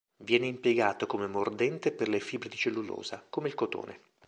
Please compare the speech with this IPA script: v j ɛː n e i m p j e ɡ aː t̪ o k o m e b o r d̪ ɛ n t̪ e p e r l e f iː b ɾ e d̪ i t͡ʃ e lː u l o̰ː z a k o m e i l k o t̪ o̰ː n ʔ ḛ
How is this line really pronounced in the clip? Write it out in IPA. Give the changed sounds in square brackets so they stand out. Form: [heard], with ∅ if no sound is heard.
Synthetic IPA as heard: v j ɛː n e i m p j e ɡ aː t̪ o k o m e [m] o r d̪ ɛ n t̪ e p e r l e f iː b ɾ e d̪ i t͡ʃ e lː u l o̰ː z a k o m e i l k o t̪ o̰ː n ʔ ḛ